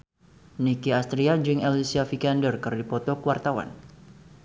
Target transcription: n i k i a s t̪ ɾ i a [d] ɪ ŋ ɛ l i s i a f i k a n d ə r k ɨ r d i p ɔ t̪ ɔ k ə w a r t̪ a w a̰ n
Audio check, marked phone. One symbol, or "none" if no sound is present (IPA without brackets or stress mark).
d͡ʒ